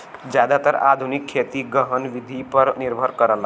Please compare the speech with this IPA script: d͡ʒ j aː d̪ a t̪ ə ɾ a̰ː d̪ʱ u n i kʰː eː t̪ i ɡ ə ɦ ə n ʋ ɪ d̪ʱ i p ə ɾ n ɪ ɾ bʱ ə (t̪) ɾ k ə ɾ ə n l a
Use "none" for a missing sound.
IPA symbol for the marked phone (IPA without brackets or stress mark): none